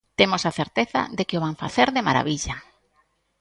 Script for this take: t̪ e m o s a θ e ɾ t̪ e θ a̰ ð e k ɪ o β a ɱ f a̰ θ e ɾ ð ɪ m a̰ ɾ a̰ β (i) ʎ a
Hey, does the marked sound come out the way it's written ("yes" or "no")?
yes